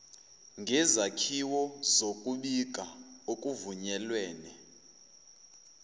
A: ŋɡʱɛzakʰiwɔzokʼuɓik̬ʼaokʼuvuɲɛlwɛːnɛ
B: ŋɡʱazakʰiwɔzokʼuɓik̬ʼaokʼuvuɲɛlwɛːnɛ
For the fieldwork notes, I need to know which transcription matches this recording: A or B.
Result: A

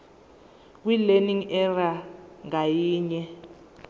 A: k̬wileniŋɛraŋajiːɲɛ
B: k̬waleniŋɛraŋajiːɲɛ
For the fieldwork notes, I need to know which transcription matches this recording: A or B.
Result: A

